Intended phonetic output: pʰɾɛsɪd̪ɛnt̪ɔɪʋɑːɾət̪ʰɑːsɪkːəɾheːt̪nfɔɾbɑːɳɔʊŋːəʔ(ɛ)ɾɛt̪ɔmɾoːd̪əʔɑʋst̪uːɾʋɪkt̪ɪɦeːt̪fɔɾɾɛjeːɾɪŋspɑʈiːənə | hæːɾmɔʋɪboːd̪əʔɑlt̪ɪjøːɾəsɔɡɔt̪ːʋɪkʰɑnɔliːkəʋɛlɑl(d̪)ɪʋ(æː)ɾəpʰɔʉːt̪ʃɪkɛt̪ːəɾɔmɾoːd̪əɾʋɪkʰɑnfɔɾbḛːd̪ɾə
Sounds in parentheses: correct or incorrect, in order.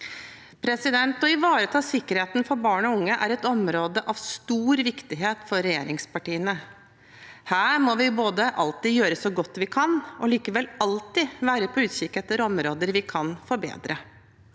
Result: incorrect, incorrect, correct

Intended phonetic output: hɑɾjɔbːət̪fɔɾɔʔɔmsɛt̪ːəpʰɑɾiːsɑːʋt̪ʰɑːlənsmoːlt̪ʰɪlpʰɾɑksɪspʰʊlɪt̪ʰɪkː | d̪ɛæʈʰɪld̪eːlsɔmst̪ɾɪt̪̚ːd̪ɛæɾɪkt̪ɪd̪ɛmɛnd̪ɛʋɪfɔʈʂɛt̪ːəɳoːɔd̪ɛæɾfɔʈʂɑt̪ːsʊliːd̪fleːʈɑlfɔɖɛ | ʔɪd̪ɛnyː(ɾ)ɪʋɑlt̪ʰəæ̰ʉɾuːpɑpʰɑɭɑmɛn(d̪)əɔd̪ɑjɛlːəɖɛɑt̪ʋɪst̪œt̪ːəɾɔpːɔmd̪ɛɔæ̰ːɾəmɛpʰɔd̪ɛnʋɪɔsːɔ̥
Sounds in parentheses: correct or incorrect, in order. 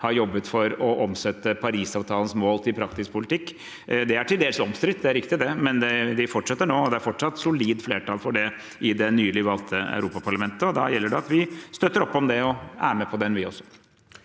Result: incorrect, incorrect

